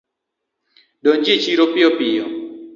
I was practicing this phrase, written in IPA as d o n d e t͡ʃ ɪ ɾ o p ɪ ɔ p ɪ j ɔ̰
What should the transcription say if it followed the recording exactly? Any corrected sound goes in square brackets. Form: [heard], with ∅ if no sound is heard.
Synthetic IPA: d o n [d͡ʒ] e t͡ʃ [i] ɾ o p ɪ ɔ p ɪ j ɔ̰